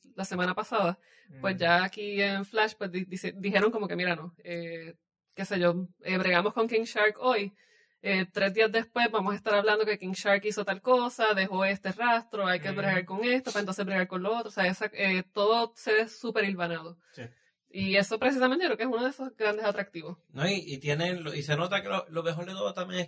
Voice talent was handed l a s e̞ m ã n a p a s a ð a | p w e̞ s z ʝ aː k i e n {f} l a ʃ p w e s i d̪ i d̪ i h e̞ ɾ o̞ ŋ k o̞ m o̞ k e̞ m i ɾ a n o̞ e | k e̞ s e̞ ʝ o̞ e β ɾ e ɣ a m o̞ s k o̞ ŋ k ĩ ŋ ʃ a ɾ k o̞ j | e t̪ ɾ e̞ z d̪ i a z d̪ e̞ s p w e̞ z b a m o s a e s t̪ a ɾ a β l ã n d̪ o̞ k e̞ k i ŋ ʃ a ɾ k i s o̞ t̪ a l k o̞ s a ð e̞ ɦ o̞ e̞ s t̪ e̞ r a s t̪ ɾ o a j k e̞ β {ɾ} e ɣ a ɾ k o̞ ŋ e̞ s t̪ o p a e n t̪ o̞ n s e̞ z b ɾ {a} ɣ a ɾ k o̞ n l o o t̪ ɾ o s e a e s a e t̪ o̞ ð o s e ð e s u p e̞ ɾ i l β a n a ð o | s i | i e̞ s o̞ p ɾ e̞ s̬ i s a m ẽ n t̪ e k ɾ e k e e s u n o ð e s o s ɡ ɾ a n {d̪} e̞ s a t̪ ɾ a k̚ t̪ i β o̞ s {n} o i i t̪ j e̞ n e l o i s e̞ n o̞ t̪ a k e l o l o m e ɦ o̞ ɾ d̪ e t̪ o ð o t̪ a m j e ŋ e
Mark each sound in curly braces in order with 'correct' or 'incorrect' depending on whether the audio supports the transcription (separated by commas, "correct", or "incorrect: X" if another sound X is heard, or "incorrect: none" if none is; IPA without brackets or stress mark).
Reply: correct, correct, incorrect: e, correct, correct